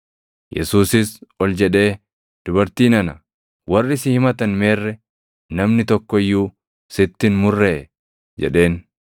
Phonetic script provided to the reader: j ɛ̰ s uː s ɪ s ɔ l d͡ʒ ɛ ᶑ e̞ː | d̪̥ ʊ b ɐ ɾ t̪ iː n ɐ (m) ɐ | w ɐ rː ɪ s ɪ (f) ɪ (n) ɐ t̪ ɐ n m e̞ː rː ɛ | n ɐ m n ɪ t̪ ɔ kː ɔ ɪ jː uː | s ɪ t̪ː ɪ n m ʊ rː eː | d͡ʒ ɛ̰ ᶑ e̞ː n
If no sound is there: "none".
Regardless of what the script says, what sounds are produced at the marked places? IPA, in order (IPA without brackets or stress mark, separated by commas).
n, h, m